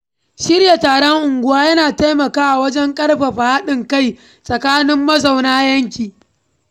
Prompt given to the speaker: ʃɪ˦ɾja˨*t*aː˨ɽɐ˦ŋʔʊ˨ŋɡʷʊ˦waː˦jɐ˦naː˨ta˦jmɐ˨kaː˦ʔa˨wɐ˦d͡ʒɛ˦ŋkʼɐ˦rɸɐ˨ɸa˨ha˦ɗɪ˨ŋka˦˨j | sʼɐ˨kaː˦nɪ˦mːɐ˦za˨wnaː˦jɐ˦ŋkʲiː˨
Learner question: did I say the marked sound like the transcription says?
yes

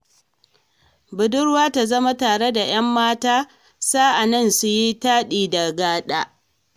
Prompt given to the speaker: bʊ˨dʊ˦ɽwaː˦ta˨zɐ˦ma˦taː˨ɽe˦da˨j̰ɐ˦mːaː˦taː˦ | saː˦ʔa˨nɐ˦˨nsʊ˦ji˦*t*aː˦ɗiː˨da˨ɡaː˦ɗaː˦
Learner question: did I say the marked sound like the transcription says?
yes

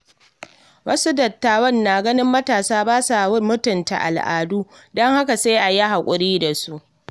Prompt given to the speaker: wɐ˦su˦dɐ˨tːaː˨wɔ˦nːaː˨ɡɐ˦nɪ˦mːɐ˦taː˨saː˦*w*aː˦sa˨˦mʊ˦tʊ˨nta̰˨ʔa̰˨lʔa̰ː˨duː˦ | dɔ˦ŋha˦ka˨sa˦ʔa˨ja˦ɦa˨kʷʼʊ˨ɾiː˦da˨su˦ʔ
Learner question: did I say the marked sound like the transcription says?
no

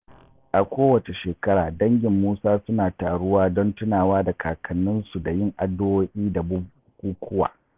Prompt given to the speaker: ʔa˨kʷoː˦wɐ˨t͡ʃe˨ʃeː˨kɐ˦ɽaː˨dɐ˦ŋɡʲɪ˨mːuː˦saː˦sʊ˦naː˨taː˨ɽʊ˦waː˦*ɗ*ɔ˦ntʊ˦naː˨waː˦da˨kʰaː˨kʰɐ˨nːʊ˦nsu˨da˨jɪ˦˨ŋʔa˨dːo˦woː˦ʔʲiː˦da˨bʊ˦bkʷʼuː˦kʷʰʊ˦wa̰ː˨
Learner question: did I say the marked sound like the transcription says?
no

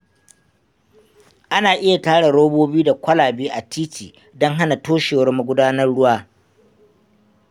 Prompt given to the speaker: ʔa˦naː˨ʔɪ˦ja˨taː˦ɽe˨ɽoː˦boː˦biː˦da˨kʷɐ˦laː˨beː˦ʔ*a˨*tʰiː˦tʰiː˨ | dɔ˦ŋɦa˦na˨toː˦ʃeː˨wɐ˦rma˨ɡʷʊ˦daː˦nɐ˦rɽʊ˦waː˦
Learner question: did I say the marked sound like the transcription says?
yes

